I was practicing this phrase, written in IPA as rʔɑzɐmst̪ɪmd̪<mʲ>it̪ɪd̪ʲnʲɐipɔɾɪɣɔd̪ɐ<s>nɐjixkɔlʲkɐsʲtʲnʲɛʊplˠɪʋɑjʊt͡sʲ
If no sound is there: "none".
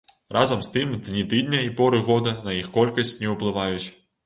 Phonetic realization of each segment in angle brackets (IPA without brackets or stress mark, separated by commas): nʲ, none